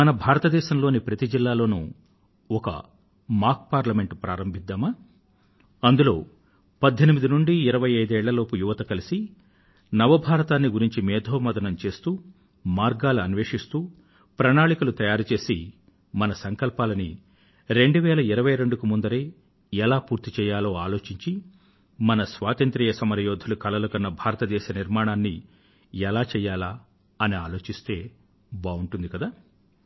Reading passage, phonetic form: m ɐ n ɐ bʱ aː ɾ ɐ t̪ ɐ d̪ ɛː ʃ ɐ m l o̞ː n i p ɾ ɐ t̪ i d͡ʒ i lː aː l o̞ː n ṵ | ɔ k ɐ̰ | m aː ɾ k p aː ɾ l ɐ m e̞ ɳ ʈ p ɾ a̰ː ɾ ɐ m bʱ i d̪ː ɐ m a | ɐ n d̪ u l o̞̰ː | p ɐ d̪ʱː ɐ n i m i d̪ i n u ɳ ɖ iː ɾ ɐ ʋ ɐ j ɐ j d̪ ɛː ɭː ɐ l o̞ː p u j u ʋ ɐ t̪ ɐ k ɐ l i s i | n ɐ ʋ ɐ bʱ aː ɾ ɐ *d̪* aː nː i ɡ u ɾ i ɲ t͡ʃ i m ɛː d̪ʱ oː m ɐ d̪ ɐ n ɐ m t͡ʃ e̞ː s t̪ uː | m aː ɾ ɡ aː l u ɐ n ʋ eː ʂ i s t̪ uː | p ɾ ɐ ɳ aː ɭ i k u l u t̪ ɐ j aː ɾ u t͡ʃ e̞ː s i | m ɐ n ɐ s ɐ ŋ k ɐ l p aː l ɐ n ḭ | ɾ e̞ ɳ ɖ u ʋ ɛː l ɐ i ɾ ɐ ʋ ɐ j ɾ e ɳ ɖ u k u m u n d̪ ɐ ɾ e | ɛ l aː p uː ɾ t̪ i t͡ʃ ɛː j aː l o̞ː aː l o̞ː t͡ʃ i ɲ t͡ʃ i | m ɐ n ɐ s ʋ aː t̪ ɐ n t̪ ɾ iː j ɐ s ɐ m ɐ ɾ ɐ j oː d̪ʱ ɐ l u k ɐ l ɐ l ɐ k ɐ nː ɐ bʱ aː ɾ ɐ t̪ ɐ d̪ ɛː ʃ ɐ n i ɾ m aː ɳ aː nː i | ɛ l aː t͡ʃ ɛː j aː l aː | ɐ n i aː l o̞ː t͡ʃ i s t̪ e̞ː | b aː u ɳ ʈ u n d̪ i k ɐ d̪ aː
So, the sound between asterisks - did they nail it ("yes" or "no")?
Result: no